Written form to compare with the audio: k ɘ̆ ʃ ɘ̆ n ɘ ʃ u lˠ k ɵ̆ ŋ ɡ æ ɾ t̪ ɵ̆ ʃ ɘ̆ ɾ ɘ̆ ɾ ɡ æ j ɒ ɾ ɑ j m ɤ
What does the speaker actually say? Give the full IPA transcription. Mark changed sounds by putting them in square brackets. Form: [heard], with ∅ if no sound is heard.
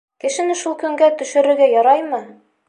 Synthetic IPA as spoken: k ɘ̆ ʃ ɘ̆ n ɘ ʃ u lˠ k ɵ̆ ŋ ɡ æ [∅] t̪ ɵ̆ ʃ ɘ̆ ɾ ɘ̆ ɾ ɡ æ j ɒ ɾ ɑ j m ɤ